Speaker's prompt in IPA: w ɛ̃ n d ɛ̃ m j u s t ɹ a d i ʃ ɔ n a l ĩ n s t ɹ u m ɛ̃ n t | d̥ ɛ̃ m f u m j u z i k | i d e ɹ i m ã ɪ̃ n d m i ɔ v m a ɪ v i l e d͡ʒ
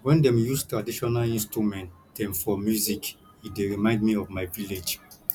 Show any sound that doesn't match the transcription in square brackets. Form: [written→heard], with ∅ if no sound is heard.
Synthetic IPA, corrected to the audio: w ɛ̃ n d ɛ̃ m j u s t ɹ a d i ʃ ɔ n a l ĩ n s t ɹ u m ɛ̃ n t | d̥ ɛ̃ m f [u→ɔ] m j u z i k | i d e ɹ i m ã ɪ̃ n d m i ɔ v m a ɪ v i l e d͡ʒ